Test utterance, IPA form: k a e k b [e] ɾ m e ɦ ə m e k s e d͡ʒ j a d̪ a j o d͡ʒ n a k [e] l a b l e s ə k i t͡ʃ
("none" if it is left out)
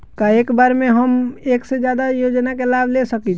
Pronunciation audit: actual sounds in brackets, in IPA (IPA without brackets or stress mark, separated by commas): a, e